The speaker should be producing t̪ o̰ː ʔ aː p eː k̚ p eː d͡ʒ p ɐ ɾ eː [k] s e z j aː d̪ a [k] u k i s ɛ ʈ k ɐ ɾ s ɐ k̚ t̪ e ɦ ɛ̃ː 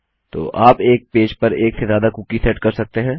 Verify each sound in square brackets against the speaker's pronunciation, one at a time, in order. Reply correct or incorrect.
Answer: correct, correct

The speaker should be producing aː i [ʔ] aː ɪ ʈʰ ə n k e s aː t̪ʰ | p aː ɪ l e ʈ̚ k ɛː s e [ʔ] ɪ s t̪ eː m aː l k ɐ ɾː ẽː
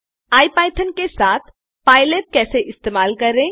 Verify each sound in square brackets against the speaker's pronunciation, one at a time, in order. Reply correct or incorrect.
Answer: incorrect: p, correct

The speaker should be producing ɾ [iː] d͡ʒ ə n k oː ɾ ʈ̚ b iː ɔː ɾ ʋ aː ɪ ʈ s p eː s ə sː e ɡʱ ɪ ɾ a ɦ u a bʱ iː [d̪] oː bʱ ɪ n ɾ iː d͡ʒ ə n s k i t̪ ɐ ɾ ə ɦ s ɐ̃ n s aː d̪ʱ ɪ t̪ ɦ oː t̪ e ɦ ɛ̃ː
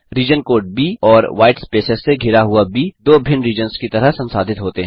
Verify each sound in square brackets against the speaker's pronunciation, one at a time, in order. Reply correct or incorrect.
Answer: correct, correct

